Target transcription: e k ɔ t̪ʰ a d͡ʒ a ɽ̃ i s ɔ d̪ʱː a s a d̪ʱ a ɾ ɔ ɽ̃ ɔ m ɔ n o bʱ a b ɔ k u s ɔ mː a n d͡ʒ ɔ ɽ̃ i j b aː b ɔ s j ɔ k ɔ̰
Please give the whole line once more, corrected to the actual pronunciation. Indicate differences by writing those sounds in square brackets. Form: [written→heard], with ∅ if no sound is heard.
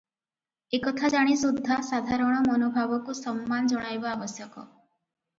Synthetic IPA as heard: e k ɔ t̪ʰ a d͡ʒ a ɽ̃ i s [ɔ→u] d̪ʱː a s a d̪ʱ a ɾ ɔ ɽ̃ ɔ m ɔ n o bʱ a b ɔ k u s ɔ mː a n d͡ʒ ɔ ɽ̃ [i→a] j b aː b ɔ s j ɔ k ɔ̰

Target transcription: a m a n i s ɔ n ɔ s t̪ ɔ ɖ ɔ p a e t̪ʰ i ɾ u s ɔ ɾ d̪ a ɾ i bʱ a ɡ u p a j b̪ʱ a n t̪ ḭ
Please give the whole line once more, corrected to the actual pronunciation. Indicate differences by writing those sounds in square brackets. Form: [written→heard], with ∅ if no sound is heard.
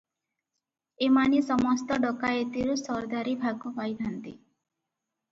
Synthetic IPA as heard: [a→e] m a n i s ɔ [n→m] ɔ s t̪ ɔ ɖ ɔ [p→k] a e [t̪ʰ→t̪] i ɾ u s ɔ ɾ d̪ a ɾ i bʱ a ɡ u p a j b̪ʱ a n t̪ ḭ

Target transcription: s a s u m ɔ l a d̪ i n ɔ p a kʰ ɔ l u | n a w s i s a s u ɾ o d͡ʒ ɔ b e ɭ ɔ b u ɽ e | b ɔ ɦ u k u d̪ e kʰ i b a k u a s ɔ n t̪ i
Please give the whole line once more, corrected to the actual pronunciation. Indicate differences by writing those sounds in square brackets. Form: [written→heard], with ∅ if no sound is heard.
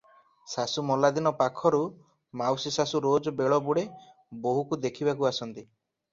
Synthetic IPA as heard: s a s u m ɔ l a d̪ i n ɔ p a kʰ ɔ [l→ɾ] u | [n→m] a w s i s a s u ɾ o d͡ʒ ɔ b e ɭ ɔ b u ɽ e | b [ɔ→o] ɦ u k u d̪ e kʰ i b a k u a s ɔ n t̪ i

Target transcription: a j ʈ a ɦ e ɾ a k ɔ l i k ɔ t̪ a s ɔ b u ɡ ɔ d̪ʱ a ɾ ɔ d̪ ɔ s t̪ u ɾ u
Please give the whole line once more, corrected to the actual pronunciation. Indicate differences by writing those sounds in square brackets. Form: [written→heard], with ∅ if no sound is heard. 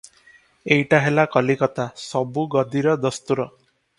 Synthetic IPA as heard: [a→e] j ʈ a ɦ e [ɾ→l] a k ɔ l i k ɔ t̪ a s ɔ b u ɡ ɔ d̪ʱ [a→i] ɾ ɔ d̪ ɔ s t̪ u ɾ [u→ɔ]

